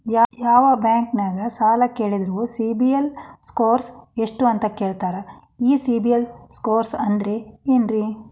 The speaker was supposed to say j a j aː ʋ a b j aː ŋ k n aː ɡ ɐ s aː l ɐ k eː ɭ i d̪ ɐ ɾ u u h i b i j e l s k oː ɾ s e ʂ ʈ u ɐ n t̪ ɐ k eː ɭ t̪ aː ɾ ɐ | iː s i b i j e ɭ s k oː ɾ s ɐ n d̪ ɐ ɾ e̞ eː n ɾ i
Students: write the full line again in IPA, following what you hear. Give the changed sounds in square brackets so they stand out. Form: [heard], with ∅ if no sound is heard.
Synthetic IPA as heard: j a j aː ʋ [ɐ] b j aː ŋ k n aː ɡ ɐ s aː l ɐ k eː ɭ i d̪ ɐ ɾ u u [s] i b i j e l s k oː ɾ s e ʂ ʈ u ɐ n t̪ ɐ k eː ɭ t̪ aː ɾ ɐ | iː s i b i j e [l] s k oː ɾ s ɐ n d̪ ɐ ɾ e̞ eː n ɾ i